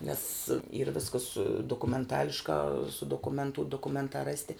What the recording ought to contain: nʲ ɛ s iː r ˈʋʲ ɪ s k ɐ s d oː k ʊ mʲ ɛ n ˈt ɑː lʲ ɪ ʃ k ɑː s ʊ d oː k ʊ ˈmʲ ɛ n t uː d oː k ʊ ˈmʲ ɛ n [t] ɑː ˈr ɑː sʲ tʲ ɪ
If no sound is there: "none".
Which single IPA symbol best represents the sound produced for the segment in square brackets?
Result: t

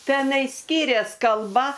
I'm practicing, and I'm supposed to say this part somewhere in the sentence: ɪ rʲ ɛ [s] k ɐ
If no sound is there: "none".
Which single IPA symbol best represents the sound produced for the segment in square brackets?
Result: s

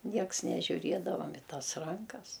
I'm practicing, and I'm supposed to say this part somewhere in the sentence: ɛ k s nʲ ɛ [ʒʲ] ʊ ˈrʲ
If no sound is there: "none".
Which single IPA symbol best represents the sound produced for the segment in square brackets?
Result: ʒʲ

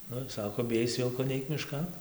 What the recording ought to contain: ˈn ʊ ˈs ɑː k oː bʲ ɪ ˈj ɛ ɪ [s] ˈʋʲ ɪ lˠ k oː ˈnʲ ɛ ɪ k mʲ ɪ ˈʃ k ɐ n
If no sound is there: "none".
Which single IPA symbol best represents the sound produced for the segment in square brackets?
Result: s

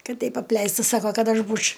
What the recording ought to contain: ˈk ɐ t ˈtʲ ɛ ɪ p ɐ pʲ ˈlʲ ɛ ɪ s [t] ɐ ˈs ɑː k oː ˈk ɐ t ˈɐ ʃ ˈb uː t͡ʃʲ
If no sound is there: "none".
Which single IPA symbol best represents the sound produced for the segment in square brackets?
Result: t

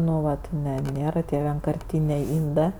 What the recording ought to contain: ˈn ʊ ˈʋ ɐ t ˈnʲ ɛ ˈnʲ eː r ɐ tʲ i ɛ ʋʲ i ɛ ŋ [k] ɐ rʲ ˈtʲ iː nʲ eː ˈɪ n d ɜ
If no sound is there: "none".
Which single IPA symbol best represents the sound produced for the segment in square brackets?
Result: k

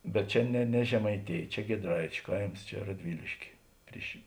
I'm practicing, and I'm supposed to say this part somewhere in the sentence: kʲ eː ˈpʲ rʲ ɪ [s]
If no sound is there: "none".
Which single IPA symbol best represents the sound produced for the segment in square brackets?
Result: ʃ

